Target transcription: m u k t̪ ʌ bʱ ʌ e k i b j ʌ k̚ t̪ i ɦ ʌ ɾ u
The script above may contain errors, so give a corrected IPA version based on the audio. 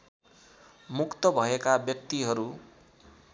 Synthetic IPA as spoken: m u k t̪ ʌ bʱ ʌ e k a b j ʌ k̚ t̪ i ɦ ʌ ɾ u